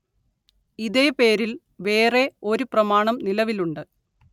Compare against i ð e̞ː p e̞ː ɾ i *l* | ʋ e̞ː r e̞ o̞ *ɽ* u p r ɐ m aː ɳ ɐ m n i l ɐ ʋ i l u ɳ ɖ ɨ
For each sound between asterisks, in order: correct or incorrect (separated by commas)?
correct, incorrect